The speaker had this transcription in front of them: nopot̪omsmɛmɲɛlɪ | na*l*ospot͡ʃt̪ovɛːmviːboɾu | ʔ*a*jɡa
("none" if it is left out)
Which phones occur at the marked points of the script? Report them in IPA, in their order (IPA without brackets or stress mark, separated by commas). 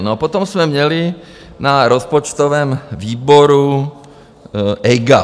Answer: ɾ, ɛ